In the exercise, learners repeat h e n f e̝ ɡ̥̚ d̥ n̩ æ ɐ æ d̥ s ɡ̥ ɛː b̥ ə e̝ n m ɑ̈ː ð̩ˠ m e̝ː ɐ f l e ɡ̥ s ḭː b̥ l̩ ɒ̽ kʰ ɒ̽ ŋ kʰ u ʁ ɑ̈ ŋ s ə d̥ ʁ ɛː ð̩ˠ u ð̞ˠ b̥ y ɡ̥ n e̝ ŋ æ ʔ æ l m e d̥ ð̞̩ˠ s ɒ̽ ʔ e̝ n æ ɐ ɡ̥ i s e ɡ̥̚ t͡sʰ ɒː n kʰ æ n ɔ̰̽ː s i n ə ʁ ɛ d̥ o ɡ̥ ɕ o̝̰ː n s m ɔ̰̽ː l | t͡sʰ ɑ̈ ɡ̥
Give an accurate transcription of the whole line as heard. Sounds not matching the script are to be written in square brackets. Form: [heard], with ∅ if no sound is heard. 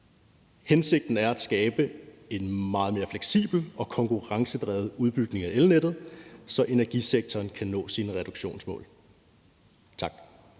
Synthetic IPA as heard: h e n [s] e̝ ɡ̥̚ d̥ n̩ æ ɐ æ d̥ s ɡ̥ ɛː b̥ ə e̝ n m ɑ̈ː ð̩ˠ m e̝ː ɐ f l e ɡ̥ s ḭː b̥ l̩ ɒ̽ kʰ ɒ̽ ŋ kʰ u ʁ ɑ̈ ŋ s ə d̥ ʁ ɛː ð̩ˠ u ð̞ˠ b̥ y ɡ̥ n e̝ ŋ æ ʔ [e] l [n] e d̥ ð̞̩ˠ s ɒ̽ ʔ e̝ n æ ɐ ɡ̥ i s e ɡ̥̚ t͡sʰ ɒː n kʰ æ n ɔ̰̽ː s i n ə ʁ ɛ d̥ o ɡ̥ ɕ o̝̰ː n s m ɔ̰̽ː l | t͡sʰ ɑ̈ ɡ̥